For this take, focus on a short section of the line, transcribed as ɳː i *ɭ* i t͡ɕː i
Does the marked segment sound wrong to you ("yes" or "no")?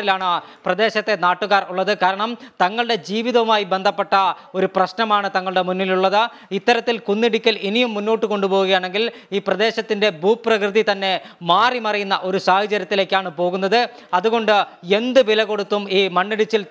yes